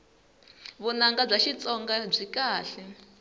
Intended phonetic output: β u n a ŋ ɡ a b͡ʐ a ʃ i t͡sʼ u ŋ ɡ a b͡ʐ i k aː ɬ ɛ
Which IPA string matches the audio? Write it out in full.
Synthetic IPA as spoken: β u n a ŋ ɡ a b͡ʐ a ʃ i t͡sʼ ɔ ŋ ɡ a b͡ʐ i k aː ɬ ɛ

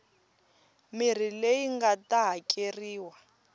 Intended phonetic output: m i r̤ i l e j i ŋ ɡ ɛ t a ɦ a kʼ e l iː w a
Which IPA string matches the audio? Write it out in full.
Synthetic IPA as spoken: m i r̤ i l e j i ŋ ɡ a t a ɦ a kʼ e r iː w a

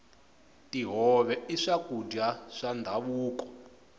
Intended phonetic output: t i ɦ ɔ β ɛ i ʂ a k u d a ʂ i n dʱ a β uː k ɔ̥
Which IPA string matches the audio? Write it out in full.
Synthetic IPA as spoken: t i ɦ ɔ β ɛ i ʂ a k u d a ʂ a n dʱ a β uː k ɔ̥

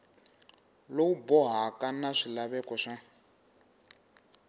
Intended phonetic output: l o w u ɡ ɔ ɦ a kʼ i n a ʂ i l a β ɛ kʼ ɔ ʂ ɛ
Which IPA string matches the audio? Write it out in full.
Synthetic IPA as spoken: l o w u b ɔ ɦ a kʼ a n a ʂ i l a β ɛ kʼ ɔ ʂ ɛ

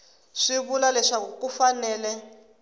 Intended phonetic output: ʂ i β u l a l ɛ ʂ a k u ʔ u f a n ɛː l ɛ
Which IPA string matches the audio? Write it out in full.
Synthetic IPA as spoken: ʂ i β u l a l ɛ ʂ a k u k u f a n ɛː l ɛ

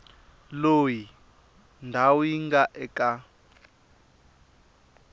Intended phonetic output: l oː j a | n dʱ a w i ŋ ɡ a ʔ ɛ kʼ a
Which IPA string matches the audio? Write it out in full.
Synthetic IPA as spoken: l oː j i | n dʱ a w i ŋ ɡ a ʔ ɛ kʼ a

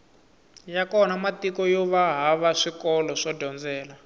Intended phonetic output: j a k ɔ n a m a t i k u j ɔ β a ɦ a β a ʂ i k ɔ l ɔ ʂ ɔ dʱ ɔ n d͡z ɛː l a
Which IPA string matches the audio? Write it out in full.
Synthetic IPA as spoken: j a k ɔ n a m a t i k ɔ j ɔ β a ɦ a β a ʂ i k ɔ l ɔ ʂ ɔ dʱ ɔ n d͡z ɛː l a

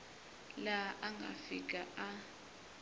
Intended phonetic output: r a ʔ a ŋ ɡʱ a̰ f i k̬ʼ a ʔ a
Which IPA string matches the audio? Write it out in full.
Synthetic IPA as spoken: l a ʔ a ŋ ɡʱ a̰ f i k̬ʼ a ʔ a

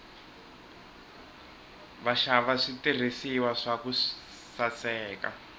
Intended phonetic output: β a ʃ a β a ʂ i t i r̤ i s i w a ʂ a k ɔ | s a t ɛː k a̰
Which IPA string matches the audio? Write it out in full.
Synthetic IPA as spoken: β a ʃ a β a ʂ i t i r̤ i s i w a ʂ a k u | s a t͡s ɛː k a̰

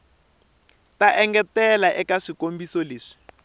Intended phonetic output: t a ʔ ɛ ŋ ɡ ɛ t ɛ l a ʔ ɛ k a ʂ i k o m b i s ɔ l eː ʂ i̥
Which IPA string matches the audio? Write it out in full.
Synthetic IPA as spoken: t a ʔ ɛ ŋ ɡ ɛ t ɛ l a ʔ ɛ k a ʂ i k o m b i s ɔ l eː ʂ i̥

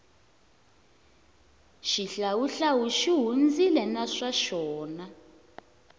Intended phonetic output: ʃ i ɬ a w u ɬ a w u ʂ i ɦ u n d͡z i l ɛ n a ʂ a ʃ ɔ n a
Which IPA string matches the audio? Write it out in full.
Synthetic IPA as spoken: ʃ i ɬ a w u ɬ a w u ʃ i ɦ u n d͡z i l ɛ n a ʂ a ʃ ɔː n a

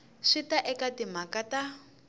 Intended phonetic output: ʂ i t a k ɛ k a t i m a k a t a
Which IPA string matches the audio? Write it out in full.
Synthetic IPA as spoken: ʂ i t a ʔ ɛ k a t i m a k a t a

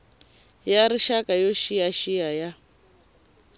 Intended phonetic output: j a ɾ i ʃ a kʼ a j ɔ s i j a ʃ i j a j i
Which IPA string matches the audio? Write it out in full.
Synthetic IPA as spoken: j a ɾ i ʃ a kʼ a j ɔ ʃ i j a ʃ i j a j a

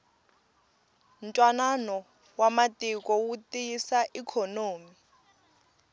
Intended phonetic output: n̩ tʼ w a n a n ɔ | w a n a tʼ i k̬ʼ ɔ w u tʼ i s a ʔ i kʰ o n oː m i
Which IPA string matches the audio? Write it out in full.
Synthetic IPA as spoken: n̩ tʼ w a n a n ɔ | w a m a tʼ i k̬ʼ ɔ w u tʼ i s a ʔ i kʰ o n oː m i

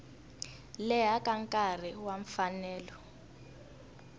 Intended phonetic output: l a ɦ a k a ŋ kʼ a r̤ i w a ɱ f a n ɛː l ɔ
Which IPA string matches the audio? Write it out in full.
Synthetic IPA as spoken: l ɛ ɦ a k a ŋ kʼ a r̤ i w a ɱ f a n ɛː l ɔ

